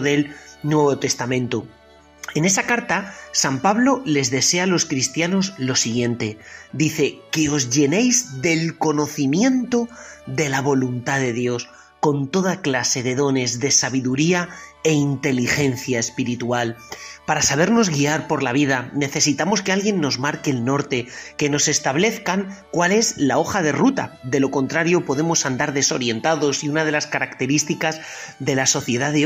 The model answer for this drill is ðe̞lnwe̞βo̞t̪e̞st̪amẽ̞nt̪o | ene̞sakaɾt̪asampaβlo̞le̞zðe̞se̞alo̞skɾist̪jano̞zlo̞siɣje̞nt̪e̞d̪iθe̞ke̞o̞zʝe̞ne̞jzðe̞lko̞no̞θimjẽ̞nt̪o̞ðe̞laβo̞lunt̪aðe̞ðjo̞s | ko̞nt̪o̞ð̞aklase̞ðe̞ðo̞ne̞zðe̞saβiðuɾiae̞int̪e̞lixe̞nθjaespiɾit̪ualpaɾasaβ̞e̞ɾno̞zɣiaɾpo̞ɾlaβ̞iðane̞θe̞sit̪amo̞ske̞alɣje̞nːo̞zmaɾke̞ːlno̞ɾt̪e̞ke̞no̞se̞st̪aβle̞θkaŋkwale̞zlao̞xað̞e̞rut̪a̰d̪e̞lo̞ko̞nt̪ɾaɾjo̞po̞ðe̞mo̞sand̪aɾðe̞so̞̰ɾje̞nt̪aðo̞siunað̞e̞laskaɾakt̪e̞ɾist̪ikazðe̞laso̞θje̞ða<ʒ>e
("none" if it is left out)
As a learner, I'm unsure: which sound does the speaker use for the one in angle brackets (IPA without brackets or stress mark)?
ð